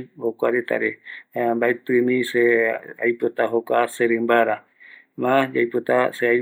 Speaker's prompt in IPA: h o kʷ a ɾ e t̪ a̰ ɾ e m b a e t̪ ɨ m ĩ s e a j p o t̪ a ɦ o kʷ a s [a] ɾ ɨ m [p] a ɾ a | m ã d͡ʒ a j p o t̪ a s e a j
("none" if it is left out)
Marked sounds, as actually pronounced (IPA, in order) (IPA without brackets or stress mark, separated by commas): e, b